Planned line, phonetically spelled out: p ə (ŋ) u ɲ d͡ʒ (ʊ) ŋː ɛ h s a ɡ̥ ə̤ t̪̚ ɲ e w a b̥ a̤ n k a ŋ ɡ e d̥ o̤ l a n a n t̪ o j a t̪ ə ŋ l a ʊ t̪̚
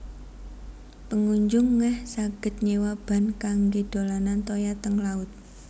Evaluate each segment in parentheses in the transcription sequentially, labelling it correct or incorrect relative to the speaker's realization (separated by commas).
correct, correct